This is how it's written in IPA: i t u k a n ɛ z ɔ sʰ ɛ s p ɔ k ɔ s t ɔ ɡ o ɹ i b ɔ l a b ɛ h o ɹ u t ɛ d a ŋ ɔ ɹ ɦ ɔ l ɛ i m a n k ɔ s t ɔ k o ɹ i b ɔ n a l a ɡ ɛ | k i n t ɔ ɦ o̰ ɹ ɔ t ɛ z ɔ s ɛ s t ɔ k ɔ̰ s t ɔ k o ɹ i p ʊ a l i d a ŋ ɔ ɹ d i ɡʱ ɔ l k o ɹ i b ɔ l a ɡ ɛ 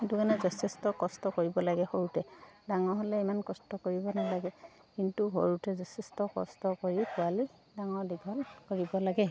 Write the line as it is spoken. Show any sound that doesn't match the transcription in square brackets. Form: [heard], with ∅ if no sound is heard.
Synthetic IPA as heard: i t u k a n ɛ z ɔ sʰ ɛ s [t] ɔ k ɔ s t ɔ [k] o ɹ i b ɔ l a [ɡ] ɛ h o ɹ u t ɛ d a ŋ ɔ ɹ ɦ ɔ l ɛ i m a n k ɔ s t ɔ k o ɹ i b ɔ n a l a ɡ ɛ | k i n t [u] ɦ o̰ ɹ [u] t ɛ z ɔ s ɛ s t ɔ k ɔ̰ s t ɔ k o ɹ i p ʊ a l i d a ŋ ɔ ɹ d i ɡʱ ɔ l k o ɹ i b ɔ l a ɡ ɛ